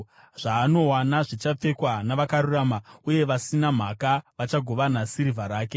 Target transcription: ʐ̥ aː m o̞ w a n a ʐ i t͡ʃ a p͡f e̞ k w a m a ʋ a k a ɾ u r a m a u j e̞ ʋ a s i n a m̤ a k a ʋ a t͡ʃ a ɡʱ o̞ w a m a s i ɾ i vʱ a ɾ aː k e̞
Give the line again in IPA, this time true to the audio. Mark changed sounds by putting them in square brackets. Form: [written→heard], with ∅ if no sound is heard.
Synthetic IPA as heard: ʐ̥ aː [m→n] o̞ w a n a ʐ i t͡ʃ a p͡f e̞ k w a [m→n] a ʋ a k a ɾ u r a m a u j e̞ ʋ a s i n a m̤ a k a ʋ a t͡ʃ a ɡʱ o̞ [w→ʋ] a [m→n] a s i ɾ i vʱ a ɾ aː k e̞